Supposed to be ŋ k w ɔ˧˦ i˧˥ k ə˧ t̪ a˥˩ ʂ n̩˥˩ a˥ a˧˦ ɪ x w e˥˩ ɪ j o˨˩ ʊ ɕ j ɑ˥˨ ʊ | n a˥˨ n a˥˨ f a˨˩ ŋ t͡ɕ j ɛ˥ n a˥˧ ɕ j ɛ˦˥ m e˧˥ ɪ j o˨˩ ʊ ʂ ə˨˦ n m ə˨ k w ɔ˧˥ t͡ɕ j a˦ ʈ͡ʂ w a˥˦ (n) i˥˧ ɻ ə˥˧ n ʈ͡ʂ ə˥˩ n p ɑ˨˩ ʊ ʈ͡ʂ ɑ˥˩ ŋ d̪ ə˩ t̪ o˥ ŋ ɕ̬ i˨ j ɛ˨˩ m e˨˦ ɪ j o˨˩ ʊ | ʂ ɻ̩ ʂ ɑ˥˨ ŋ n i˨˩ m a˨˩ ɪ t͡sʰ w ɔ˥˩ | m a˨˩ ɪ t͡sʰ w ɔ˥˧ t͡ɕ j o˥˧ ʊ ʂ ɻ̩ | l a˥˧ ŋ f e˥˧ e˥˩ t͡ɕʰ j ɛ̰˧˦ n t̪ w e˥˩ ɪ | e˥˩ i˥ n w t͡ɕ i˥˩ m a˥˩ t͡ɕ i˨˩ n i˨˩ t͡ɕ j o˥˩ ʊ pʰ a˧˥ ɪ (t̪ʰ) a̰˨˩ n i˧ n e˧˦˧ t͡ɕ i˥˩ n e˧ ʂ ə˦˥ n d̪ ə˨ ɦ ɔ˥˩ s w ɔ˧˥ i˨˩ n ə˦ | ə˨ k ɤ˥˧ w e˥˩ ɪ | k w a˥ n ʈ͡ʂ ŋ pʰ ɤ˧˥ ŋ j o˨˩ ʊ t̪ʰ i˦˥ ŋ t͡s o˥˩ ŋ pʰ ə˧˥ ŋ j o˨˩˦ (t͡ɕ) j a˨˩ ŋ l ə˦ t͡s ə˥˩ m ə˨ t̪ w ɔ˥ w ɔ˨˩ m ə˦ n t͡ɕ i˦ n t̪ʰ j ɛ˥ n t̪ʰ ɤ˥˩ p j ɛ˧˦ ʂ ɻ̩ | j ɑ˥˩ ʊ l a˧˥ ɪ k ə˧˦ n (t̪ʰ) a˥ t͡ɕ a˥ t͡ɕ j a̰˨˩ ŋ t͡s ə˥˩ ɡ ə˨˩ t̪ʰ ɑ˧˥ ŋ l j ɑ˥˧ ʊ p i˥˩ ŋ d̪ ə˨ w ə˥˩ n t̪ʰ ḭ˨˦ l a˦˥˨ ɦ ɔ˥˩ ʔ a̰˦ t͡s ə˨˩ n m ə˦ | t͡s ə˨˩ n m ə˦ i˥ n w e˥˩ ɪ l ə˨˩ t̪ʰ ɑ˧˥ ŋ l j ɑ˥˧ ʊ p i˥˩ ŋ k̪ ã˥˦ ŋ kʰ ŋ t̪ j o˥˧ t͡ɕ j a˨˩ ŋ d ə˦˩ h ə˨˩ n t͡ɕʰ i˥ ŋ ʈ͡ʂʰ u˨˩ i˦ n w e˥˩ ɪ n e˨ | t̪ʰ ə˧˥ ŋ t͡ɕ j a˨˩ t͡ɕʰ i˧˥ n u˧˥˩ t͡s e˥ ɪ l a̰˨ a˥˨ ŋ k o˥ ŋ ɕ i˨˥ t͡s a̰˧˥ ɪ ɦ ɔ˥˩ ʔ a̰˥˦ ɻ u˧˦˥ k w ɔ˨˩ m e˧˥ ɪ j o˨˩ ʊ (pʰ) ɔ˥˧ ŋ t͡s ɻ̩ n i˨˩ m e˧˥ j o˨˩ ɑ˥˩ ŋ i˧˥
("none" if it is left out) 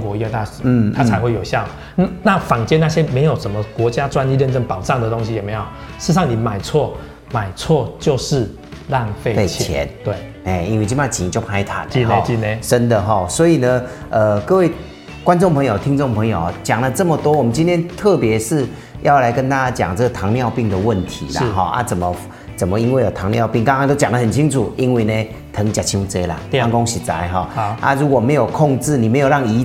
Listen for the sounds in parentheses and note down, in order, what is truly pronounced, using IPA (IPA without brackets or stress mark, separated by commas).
n, t̪ʰ, t͡ɕ, t̪, kʰ